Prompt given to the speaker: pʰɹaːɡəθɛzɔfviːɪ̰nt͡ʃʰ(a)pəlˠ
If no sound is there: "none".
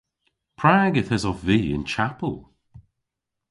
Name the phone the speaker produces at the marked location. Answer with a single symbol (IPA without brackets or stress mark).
a